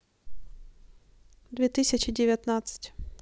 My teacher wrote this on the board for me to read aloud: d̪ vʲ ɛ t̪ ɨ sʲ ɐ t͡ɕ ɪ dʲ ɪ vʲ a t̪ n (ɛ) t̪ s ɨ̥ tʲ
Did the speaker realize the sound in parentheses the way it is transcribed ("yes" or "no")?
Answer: no